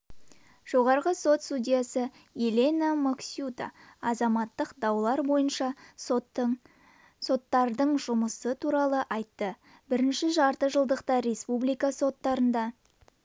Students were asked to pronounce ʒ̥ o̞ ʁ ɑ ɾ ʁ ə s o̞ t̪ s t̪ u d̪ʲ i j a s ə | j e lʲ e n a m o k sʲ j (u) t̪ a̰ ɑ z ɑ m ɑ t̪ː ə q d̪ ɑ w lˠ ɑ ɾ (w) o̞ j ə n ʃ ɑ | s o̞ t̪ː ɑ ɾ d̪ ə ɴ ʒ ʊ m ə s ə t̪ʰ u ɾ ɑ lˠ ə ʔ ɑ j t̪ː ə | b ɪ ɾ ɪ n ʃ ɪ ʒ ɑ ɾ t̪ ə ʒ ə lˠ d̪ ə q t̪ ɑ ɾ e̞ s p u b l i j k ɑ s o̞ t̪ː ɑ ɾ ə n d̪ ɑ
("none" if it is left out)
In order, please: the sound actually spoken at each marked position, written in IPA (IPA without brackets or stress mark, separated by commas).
u, b